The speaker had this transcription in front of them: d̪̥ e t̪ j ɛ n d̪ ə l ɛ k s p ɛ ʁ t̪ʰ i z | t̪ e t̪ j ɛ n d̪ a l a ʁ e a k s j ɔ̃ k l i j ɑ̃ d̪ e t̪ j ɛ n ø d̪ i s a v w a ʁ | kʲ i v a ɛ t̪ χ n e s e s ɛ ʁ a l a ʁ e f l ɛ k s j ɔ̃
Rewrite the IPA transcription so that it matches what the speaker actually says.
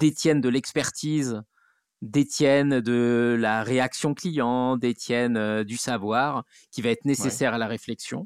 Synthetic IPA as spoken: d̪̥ e t̪ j ɛ n d̪ ə l ɛ k s p ɛ ʁ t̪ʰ i z | d̪ e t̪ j ɛ n d̪ ə l a ʁ e a k s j ɔ̃ k l i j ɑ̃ d̪ e t̪ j ɛ n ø d̪ y s a v w a ʁ | kʲ i v a ɛ t̪ χ n e s e s ɛ ʁ a l a ʁ e f l ɛ k s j ɔ̃